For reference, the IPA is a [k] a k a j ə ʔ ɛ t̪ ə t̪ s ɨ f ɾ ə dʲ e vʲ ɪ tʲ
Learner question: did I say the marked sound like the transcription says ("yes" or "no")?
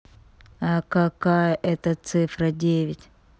yes